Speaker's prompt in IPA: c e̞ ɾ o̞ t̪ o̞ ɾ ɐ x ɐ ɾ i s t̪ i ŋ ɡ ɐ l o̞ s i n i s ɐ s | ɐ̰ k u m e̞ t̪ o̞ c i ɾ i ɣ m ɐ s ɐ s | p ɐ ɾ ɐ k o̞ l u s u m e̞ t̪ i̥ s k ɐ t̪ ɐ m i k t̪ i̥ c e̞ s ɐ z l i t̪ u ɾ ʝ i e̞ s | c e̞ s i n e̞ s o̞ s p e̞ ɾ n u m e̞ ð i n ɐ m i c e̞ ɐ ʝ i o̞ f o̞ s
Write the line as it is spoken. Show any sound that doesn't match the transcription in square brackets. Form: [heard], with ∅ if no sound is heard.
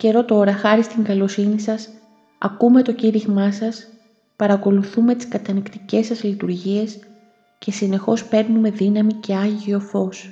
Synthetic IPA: c e̞ ɾ o̞ t̪ o̞ ɾ ɐ x ɐ ɾ i s t̪ i ŋ ɡ ɐ l o̞ s i n i s ɐ s | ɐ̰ k u m e̞ t̪ o̞ c i ɾ i ɣ m ɐ s ɐ s | p ɐ ɾ ɐ k o̞ l u [θ] u m e̞ t̪ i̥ s k ɐ t̪ ɐ [n] i k t̪ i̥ c e̞ s ɐ z l i t̪ u ɾ ʝ i e̞ s | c e̞ s i n e̞ [x] o̞ s p e̞ ɾ n u m e̞ ð i n ɐ m i c e̞ ɐ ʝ i o̞ f o̞ s